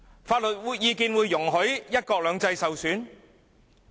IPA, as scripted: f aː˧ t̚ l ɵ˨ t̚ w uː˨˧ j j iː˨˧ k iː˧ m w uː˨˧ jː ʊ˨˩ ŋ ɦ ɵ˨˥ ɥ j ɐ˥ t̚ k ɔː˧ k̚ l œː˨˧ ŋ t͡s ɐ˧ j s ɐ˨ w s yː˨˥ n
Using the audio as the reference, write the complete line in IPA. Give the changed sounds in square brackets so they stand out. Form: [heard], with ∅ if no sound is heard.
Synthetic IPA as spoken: f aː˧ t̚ l ɵ˨ t̚ w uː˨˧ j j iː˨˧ k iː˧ [n] w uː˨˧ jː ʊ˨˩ ŋ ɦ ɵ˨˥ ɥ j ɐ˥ t̚ k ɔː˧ k̚ l œː˨˧ ŋ t͡s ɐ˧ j s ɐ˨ w s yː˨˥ n